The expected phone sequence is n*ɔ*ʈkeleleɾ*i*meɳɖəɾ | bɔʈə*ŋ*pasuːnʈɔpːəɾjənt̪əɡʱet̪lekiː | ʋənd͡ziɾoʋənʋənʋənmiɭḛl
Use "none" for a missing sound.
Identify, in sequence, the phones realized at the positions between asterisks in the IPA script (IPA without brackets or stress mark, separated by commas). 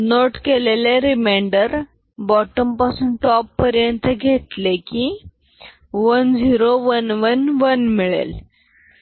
o, i, m